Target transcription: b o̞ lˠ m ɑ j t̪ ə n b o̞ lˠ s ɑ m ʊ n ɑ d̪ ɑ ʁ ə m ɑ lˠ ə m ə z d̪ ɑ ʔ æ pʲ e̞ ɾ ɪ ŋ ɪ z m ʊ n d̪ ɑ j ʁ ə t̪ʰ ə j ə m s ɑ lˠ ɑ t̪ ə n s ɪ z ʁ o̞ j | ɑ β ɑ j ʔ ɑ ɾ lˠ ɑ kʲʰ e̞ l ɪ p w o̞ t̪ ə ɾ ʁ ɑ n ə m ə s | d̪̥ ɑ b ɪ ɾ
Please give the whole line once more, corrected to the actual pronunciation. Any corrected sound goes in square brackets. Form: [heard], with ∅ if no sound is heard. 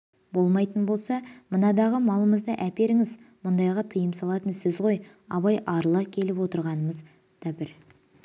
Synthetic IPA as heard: b o̞ lˠ m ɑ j t̪ ə n b o̞ lˠ s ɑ m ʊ n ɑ d̪ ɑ ʁ ə m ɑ lˠ ə m ə z d̪ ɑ ʔ æ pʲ e̞ ɾ ɪ ŋ ɪ z m ʊ n d̪ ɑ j ʁ [ɑ] t̪ʰ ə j ə m s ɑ lˠ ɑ t̪ ə n s ɪ z ʁ o̞ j | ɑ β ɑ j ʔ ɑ ɾ lˠ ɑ kʲʰ e̞ l ɪ p w o̞ t̪ ə ɾ ʁ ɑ n ə m ə [z] | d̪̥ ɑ b ɪ ɾ